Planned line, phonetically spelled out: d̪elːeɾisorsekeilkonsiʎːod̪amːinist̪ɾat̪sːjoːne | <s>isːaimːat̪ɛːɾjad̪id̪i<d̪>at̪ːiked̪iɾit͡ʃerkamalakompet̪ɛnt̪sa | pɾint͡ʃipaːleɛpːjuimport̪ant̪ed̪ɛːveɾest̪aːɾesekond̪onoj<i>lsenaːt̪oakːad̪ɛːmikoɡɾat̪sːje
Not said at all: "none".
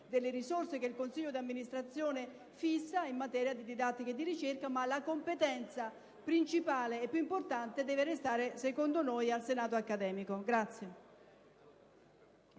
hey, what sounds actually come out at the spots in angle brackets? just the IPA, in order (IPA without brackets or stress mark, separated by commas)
f, d̪, a